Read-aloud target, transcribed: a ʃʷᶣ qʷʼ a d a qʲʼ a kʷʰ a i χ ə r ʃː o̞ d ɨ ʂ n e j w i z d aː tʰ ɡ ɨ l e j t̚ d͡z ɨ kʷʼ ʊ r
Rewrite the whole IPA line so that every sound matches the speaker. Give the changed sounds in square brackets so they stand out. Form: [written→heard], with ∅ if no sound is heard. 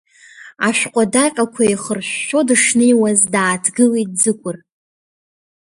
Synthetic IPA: a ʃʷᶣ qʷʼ a d a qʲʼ a kʷʰ a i χ ə r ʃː o̞ d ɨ ʂ n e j w [i→a] z d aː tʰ ɡ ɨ l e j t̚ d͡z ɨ kʷʼ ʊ r

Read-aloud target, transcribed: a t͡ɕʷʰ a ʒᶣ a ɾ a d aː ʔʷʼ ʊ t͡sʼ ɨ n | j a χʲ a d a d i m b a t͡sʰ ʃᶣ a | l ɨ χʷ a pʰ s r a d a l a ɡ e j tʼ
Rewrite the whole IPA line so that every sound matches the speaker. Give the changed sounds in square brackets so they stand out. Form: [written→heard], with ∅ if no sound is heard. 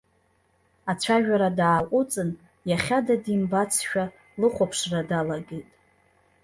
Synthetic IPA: a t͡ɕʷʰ a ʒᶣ a ɾ a d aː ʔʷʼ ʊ t͡sʼ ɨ n | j a χʲ a d a d i m b a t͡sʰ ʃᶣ a | l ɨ χʷ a pʰ [s→ʂ] r a d a l a ɡ e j tʼ

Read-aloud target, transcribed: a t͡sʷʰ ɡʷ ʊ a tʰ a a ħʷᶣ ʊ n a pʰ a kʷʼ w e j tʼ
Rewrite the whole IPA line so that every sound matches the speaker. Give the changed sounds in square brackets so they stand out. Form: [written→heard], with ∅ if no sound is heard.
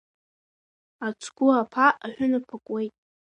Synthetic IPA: a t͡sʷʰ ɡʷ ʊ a [tʰ→pʰ] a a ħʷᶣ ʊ n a pʰ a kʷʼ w e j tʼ

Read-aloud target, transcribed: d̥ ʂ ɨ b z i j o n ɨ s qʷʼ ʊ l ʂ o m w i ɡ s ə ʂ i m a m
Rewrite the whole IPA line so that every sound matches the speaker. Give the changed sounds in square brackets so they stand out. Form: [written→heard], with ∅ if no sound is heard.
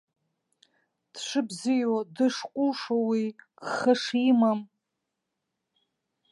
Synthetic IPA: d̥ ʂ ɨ b z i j o [n→d] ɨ [s→ʂ] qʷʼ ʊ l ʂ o [m→∅] w i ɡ [s→χ] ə ʂ i m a m

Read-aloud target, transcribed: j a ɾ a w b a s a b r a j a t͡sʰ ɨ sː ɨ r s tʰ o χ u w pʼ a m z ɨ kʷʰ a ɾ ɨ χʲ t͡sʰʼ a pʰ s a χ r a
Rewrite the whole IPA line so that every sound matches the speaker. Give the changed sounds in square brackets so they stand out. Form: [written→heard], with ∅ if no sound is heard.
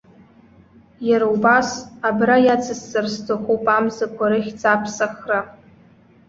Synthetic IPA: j a ɾ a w b a s a b r a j a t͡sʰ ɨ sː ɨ r s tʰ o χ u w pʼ a m z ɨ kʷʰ a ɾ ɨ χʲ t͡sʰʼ a pʰ s a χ r a

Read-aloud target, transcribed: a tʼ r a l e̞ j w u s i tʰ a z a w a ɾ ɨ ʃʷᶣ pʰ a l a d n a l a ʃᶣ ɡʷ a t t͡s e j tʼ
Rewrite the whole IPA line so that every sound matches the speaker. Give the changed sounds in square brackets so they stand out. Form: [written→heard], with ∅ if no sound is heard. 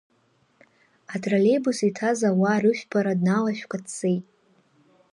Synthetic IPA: a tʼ r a l e̞ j [w→b] u s i tʰ a z a w a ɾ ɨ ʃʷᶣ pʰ a [l→ɾ] a d n a l a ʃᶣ [ɡʷ→kʷ] a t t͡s e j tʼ

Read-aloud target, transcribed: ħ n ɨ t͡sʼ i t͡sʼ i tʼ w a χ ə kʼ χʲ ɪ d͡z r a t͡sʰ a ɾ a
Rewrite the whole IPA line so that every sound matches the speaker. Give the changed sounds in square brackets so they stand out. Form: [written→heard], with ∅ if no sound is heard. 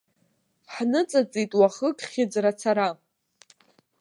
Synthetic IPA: ħ n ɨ t͡sʼ [i→a] t͡sʼ i tʼ w a χ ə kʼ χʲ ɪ d͡z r a t͡sʰ a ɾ a

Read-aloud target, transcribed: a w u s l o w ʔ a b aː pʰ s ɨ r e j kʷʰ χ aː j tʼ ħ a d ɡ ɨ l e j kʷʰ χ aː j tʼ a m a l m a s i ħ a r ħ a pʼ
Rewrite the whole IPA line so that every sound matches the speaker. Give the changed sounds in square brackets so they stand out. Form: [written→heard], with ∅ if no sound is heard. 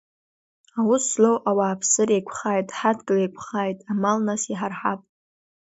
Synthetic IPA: a w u s l o w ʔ a [b→w] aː pʰ s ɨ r e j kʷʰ χ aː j tʼ ħ a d ɡ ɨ l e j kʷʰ χ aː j tʼ a m a l [m→n] a s i ħ a r ħ a pʼ

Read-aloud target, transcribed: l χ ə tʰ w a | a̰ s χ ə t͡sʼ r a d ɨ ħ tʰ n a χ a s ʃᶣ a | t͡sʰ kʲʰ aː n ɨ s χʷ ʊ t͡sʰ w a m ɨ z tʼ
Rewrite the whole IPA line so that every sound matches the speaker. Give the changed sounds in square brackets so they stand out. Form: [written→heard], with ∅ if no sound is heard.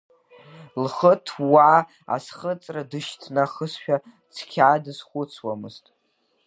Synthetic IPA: l χ ə tʰ w a | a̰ s χ ə t͡sʼ r a d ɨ [ħ→ʃ] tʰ n a χ [a→ə] s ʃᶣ a | t͡sʰ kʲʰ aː [n→d] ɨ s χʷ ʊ t͡sʰ w a m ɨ z tʼ

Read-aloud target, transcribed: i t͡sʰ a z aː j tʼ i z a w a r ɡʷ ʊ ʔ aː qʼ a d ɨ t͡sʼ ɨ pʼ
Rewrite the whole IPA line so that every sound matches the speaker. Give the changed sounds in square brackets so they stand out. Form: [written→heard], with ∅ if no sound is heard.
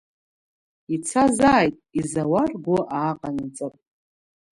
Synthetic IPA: i t͡sʰ a z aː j tʼ i z a w a r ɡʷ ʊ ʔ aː qʼ a [d→n] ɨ t͡sʼ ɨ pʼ

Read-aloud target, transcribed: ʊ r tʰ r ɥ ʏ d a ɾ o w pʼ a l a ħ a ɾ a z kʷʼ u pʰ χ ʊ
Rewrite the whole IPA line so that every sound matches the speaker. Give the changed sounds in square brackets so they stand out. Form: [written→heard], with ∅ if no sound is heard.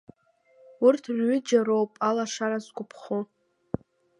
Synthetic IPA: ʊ r tʰ r ɥ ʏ [d→d͡ʒ] a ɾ o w pʼ a l a [ħ→ʂ] a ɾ a z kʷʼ [u→ʊ] pʰ χ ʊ

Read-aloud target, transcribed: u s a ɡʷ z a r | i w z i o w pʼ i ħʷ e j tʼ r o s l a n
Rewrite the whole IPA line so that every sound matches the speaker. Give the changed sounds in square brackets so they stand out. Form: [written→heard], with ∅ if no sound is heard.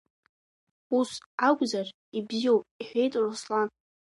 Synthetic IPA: u s a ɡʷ z a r | i [w→b] z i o w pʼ i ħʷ e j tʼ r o s l a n

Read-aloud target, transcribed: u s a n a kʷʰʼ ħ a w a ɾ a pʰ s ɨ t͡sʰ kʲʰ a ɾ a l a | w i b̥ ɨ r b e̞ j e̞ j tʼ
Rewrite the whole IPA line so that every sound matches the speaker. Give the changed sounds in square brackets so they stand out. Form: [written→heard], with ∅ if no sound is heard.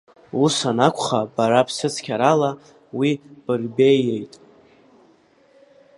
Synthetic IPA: u s a n a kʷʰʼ [ħ→χ] a [w→b] a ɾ a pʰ s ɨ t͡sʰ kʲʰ a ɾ a l a | w i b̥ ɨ r b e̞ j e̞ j tʼ

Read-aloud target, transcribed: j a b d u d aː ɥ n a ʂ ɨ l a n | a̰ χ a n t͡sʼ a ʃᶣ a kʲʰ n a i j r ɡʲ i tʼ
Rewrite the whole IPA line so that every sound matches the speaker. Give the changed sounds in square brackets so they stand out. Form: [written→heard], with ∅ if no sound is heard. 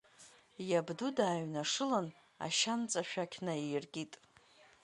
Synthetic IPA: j a b d u d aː ɥ n a ʂ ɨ l a n | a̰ [χ→ʃ] a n t͡sʼ a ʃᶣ a kʲʰ n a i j r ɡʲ i tʼ

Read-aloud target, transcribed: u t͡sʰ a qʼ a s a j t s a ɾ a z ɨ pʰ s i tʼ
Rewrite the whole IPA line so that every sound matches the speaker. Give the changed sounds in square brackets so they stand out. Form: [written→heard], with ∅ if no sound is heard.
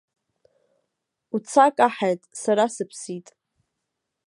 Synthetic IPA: u t͡sʰ a [qʼ→kʼ] a [s→ħ] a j [t→tʼ] s a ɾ a [z→s] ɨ pʰ s i tʼ

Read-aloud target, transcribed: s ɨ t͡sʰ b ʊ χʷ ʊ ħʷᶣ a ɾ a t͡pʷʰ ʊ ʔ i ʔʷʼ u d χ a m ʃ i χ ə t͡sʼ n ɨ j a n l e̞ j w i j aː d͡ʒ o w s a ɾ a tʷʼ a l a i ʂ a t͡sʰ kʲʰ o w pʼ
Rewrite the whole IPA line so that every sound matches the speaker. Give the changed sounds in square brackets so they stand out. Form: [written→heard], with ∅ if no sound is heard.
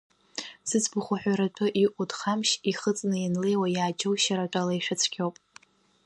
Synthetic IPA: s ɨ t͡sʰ b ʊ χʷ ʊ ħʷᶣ a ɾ a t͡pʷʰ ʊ ʔ i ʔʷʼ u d χ a m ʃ i χ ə t͡sʼ n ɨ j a n l e̞ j w [i→a] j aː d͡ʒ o w [s→ʃ] a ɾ a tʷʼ a l a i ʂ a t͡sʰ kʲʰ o w pʼ

